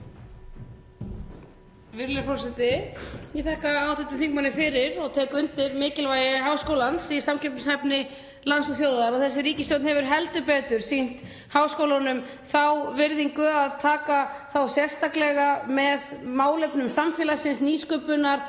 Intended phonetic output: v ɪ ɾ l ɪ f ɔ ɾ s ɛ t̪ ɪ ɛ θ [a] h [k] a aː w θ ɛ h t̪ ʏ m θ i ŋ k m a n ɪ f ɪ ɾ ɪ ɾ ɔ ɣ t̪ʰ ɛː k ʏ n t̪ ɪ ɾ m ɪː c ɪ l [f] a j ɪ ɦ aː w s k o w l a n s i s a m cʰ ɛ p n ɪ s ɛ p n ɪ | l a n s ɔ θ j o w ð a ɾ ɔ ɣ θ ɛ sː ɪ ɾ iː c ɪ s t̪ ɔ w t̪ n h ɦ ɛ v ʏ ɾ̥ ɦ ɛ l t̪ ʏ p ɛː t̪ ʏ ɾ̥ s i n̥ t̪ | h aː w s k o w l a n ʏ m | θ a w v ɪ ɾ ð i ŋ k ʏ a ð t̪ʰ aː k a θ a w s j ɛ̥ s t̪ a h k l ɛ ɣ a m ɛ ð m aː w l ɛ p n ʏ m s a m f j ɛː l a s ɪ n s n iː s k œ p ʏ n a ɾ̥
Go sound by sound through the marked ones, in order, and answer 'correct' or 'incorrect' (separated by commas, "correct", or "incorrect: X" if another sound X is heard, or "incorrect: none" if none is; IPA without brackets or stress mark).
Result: incorrect: ɛ, correct, incorrect: v